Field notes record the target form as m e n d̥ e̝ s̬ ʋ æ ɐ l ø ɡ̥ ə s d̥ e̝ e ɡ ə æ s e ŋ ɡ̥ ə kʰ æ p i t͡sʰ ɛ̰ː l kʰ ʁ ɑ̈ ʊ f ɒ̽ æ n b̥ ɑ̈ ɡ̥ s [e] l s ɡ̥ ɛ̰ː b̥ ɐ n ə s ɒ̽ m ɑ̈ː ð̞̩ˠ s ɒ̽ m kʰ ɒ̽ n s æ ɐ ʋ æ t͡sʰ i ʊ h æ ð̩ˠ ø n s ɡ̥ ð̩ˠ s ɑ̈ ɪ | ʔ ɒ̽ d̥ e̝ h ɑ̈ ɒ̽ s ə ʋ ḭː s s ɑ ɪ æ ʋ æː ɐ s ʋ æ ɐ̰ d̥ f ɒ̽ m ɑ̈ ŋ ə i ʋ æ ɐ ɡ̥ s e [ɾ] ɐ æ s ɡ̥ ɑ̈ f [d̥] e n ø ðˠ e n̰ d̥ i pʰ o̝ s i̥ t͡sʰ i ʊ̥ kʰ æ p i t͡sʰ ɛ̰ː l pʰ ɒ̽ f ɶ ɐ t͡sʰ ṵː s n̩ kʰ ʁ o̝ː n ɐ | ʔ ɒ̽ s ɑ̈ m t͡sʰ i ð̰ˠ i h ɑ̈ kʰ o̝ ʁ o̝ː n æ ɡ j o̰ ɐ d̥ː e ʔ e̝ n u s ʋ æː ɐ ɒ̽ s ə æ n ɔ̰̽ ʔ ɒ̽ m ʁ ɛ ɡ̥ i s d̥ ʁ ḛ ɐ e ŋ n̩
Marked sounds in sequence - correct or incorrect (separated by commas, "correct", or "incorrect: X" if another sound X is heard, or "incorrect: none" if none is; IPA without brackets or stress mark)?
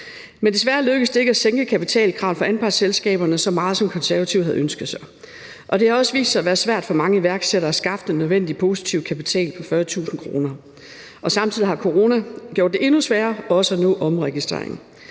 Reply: correct, correct, correct